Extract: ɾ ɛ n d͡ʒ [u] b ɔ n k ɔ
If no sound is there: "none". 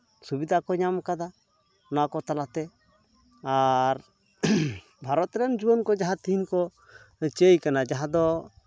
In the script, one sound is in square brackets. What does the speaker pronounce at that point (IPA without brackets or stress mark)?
u